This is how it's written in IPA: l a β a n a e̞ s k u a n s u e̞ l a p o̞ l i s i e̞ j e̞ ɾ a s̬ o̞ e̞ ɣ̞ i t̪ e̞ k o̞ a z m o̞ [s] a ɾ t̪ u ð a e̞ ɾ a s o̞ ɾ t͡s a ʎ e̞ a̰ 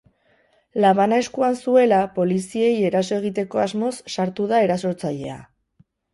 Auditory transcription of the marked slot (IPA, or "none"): sː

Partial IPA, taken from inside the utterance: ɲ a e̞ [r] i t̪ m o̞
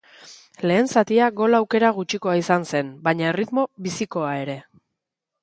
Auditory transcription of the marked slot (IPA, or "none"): r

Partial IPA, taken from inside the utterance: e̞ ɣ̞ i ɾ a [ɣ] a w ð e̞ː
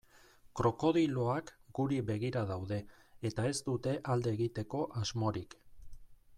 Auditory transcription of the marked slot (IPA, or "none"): ð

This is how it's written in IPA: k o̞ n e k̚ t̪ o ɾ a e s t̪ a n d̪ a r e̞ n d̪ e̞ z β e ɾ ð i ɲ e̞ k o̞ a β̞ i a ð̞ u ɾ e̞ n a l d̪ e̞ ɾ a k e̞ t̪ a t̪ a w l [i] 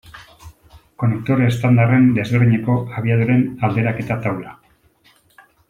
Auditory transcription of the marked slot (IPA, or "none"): a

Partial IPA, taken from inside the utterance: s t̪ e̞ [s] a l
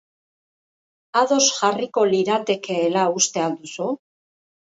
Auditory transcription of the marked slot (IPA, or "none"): none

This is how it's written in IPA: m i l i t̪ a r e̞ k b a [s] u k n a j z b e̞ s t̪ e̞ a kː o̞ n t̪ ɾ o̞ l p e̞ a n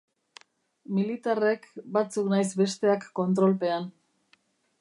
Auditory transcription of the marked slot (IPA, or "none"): t͡s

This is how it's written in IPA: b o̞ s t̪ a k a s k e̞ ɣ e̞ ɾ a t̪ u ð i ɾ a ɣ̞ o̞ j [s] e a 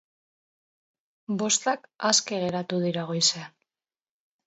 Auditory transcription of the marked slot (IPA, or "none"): s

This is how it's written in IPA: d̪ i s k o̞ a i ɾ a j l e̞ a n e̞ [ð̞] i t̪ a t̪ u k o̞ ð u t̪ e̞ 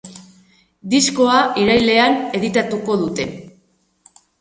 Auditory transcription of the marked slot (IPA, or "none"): ð̞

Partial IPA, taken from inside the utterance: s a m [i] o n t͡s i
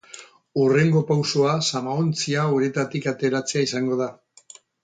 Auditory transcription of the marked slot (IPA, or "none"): a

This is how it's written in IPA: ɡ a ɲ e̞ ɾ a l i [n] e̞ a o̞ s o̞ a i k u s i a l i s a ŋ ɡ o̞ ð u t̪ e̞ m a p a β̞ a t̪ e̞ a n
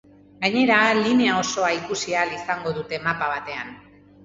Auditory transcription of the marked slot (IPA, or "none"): n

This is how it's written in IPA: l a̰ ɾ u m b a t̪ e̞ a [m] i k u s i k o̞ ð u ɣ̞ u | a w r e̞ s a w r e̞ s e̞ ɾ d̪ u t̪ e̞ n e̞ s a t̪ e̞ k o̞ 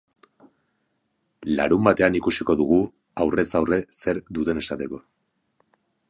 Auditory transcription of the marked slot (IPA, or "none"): n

